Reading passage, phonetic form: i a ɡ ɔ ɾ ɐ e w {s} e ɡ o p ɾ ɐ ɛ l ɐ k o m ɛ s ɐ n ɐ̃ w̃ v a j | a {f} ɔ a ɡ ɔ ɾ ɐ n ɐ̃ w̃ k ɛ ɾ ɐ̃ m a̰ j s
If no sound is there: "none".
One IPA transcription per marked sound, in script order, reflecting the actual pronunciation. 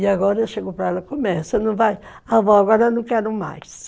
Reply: ʃ, v

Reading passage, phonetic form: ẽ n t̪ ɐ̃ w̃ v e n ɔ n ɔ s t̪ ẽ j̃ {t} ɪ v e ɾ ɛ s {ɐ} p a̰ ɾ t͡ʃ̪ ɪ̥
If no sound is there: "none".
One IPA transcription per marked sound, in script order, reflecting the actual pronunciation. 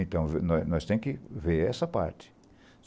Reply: k, ɐ

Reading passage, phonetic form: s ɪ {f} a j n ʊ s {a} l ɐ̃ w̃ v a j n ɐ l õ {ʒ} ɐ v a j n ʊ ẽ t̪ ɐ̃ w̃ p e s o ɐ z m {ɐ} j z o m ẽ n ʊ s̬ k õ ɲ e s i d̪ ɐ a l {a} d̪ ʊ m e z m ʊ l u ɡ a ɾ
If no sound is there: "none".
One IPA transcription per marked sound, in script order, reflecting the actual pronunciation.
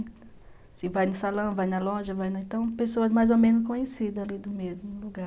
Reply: v, a, ʒ, a, i

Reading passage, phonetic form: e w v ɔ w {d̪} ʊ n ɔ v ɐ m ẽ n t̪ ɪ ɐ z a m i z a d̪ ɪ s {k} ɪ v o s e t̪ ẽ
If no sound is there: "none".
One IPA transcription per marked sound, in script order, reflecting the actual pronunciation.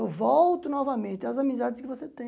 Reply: t̪, k

